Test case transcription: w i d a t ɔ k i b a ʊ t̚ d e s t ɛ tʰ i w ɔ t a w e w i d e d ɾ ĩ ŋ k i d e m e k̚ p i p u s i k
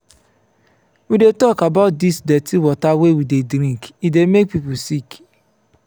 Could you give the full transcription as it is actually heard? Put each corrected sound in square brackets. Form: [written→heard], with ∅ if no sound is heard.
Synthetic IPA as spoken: w i d [a→e] t ɔ k [i→a] b a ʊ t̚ d [e→i] s [t→d] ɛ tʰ i w ɔ t a w e w i d e d ɾ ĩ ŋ k i d e m e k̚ p i p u s i k